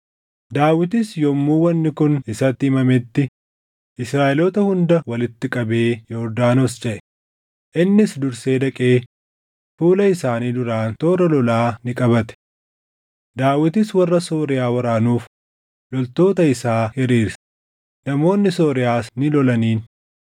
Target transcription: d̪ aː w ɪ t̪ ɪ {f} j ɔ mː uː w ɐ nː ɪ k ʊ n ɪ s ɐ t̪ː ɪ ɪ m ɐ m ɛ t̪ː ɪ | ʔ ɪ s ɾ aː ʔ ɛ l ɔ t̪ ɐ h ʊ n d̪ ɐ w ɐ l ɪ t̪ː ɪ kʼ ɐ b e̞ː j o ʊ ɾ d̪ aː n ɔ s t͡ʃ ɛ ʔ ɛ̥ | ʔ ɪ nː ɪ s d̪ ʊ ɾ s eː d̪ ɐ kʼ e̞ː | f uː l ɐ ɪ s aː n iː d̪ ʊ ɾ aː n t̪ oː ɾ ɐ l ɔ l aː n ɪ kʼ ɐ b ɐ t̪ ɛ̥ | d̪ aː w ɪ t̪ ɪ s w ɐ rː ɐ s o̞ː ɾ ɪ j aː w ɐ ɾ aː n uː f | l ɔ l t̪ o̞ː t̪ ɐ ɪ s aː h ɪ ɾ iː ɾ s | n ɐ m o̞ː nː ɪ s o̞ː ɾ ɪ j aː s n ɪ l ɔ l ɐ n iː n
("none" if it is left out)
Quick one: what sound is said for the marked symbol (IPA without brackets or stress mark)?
s